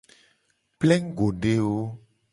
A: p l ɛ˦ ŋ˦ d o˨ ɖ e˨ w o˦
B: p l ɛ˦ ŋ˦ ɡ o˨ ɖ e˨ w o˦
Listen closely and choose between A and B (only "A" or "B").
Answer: B